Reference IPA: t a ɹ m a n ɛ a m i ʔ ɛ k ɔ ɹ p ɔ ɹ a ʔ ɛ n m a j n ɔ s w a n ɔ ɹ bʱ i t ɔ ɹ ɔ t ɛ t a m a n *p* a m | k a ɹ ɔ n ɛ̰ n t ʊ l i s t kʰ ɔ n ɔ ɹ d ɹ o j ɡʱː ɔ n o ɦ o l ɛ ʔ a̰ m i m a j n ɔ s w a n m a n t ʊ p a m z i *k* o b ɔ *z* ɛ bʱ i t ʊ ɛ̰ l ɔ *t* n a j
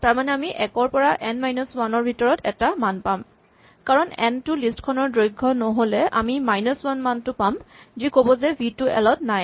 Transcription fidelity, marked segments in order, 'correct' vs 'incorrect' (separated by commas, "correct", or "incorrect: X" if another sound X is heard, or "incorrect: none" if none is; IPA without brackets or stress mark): correct, correct, correct, correct